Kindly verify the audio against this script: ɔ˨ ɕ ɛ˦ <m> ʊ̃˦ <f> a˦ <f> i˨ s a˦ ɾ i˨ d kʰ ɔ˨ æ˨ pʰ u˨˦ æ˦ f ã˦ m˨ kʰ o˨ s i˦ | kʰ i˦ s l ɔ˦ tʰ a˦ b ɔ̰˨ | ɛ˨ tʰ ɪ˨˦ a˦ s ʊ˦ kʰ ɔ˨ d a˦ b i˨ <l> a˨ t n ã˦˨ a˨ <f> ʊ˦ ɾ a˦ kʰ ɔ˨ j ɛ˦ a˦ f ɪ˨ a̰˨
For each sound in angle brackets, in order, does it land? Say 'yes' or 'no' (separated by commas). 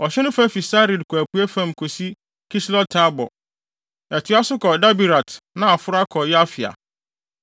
no, yes, yes, no, yes